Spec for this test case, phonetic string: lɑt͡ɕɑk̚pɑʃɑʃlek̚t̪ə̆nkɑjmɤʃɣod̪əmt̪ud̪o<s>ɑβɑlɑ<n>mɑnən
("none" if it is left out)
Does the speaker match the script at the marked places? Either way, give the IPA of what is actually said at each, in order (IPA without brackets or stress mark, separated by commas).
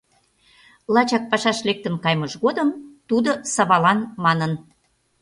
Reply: s, n